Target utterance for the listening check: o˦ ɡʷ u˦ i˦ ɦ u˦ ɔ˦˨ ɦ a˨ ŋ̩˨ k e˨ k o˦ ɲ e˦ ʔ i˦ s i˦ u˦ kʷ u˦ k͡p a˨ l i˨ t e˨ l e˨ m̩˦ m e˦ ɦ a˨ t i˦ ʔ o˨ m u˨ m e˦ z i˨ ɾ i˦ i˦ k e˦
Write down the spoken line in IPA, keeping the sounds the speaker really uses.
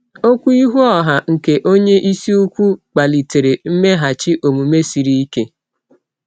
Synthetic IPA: o˦ kʷ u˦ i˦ ɦ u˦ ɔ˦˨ ɦ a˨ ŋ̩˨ k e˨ ʔ o˦ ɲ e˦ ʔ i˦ s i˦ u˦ kʷ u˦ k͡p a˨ l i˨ t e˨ ɾ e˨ m̩˦ m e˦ ɦ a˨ t͡ʃ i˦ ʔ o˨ m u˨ m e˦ s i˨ ɾ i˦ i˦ k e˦